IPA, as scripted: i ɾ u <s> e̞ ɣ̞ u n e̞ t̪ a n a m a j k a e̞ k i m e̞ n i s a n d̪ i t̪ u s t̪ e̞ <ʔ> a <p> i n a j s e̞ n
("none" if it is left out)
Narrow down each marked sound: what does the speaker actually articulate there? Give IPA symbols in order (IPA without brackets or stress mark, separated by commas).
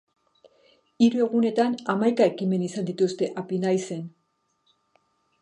none, ʔ, p